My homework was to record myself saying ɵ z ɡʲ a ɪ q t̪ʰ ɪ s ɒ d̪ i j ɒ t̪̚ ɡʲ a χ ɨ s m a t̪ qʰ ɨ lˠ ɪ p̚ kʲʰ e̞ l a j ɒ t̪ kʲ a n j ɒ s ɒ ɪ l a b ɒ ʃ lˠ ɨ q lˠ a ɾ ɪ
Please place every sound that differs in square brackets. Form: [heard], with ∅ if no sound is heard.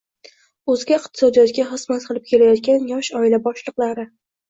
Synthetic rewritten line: ɵ z ɡʲ a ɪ q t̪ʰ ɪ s ɒ d̪ i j ɒ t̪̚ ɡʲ a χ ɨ s m a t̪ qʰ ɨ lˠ ɪ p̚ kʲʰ e̞ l a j ɒ t̪ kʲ a n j ɒ [ʃ] ɒ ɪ l a b ɒ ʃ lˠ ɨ q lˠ a ɾ ɪ